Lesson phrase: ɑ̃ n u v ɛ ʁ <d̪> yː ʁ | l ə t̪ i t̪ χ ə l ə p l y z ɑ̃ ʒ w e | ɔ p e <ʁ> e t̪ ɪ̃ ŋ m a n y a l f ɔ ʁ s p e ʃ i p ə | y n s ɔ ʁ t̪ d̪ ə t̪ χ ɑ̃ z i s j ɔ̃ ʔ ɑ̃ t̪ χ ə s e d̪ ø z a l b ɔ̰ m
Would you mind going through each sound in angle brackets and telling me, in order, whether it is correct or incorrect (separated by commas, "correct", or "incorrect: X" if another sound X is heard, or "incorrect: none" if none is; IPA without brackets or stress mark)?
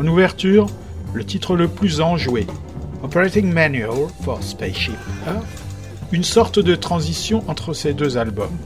incorrect: t̪, correct